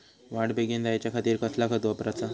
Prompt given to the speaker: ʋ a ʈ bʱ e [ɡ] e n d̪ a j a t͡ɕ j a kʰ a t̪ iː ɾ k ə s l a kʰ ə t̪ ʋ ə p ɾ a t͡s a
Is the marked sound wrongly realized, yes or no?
no